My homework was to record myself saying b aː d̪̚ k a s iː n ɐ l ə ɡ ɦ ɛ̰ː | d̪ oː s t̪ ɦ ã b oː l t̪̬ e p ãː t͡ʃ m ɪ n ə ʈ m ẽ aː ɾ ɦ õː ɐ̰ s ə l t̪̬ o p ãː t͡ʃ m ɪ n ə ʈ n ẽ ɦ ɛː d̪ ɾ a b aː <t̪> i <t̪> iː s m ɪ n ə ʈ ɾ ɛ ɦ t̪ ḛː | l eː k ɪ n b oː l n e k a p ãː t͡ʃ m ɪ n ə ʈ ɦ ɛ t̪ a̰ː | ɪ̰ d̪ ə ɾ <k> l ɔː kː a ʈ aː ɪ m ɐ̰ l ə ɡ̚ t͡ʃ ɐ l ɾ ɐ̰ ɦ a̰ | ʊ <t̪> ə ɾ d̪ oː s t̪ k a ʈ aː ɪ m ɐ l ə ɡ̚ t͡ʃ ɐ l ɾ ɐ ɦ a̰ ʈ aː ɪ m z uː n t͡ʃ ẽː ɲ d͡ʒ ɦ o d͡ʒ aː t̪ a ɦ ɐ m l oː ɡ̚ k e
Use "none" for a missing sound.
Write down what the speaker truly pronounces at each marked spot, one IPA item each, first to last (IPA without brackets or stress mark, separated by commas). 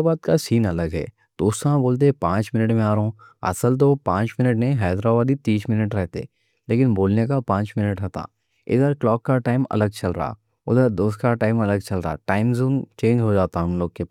d̪, t̪, k, d̪